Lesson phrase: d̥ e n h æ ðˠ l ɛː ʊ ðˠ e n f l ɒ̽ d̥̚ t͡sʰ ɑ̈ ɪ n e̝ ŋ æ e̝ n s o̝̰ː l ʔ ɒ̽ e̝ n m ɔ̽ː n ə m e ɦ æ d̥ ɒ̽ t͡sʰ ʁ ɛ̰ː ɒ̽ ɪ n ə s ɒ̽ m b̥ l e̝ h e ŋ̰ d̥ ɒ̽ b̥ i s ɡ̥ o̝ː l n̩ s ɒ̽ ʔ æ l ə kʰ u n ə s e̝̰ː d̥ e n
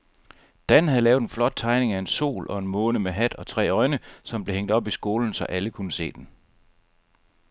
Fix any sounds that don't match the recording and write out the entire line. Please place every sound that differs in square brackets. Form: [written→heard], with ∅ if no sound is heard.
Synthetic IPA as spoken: d̥ [e→æ] n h æ ðˠ l ɛː ʊ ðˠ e n f l ɒ̽ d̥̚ t͡sʰ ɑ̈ ɪ n e̝ ŋ æ e̝ n s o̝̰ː l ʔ ɒ̽ e̝ n m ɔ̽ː n ə m e ɦ æ d̥ ɒ̽ t͡sʰ ʁ ɛ̰ː ɒ̽ ɪ n ə s ɒ̽ m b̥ l e̝ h e ŋ̰ d̥ ɒ̽ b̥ i s ɡ̥ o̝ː l n̩ s ɒ̽ ʔ æ l ə kʰ u n ə s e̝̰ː d̥ e n